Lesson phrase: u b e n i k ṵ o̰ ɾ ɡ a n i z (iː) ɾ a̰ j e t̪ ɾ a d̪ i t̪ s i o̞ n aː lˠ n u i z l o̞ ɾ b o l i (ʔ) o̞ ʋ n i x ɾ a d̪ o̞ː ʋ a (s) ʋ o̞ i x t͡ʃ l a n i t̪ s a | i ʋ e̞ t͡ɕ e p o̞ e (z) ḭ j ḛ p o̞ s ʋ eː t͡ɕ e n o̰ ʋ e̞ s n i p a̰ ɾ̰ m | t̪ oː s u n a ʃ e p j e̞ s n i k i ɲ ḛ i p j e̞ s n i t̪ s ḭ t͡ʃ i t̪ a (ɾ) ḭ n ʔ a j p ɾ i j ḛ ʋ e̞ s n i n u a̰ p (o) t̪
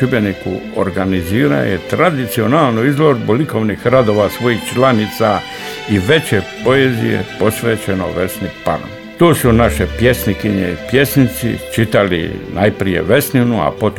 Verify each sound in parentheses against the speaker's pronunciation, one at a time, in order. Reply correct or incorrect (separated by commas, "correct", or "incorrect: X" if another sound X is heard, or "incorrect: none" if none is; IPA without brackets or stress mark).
correct, incorrect: k, correct, correct, incorrect: l, correct